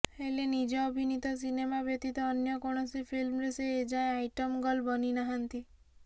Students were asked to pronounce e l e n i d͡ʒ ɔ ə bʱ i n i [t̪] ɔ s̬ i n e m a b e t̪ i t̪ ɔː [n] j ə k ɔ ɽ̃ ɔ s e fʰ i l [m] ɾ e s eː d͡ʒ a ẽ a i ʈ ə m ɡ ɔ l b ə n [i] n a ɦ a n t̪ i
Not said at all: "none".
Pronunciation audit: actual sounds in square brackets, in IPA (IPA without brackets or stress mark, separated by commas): t̪, n, m, i